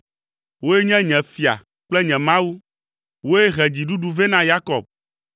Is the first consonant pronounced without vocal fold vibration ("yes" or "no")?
no